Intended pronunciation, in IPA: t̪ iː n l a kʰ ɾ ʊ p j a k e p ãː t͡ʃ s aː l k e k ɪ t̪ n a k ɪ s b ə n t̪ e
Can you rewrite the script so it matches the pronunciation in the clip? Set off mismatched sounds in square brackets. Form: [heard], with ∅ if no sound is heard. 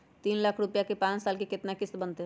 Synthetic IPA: t̪ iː n l a kʰ ɾ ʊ p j a k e p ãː t͡ʃ s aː l k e k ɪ t̪ n a k ɪ s b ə n t̪ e